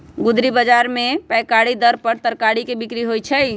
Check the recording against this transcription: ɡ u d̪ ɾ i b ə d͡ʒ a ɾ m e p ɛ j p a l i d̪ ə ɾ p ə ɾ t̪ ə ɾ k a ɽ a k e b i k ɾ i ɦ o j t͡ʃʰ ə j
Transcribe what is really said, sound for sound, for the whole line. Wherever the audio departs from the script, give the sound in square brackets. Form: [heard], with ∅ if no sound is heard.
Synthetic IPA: ɡ u d̪ ɾ i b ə d͡ʒ a ɾ m e p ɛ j [k] a [ɽ] i d̪ ə ɾ p ə ɾ t̪ ə ɾ k a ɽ [i] k e b i k ɾ i ɦ o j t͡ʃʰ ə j